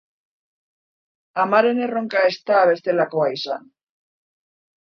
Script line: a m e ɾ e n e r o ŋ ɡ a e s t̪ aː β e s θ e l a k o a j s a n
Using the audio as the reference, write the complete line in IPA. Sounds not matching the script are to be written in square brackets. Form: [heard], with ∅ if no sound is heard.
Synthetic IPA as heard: a m [a] ɾ e n e r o ŋ [k] a e s t̪ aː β e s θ e l a k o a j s a n